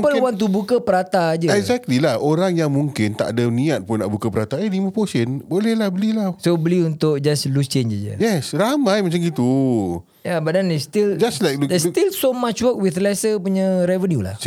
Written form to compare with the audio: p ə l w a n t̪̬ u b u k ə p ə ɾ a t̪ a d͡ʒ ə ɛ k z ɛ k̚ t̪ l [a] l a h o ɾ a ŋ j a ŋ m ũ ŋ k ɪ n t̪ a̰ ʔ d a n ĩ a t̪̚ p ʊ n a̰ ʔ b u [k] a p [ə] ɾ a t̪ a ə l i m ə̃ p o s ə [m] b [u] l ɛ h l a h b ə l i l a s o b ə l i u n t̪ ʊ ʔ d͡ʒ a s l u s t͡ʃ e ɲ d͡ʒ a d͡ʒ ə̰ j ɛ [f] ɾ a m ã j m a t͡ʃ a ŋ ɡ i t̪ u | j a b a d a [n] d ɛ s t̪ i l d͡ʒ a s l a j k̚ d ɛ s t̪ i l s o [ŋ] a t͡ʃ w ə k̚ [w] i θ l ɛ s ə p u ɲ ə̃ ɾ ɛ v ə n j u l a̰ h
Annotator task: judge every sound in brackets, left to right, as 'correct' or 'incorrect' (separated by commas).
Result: incorrect, correct, correct, incorrect, incorrect, incorrect, correct, incorrect, correct